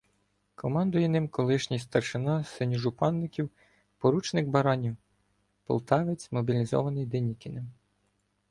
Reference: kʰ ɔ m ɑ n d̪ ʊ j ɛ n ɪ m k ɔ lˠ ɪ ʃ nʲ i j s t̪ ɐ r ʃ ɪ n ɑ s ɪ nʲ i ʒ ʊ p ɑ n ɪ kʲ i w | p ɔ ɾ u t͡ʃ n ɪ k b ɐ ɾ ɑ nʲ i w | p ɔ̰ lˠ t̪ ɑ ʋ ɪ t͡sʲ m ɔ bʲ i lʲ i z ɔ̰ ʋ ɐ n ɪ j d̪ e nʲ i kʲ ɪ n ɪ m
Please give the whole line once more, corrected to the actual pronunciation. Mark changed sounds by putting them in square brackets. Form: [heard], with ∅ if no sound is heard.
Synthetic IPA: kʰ ɔ m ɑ n d̪ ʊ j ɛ n ɪ m k ɔ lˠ ɪ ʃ nʲ i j s t̪ ɐ r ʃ ɪ n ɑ s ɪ nʲ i ʒ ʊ p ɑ [nː] ɪ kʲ i w | p ɔ ɾ u t͡ʃ n ɪ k b ɐ ɾ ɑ nʲ i w | p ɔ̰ lˠ t̪ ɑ ʋ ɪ t͡sʲ m ɔ bʲ i lʲ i z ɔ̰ ʋ ɐ n ɪ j d̪ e nʲ i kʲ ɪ n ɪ m